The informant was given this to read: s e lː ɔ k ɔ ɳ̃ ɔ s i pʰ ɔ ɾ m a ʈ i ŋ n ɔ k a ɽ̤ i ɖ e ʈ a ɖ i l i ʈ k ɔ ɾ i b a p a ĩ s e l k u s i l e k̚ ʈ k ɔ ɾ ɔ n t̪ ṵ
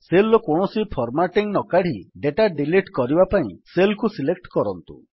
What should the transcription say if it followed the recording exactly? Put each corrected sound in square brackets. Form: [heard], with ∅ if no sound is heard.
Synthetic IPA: s e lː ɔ k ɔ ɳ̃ ɔ s i pʰ ɔ ɾ m a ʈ i ŋ n ɔ k a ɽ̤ i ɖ e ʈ a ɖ i l i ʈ k ɔ ɾ i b a p a ĩ s e l k u s i l e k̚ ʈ k ɔ ɾ ɔ n t̪ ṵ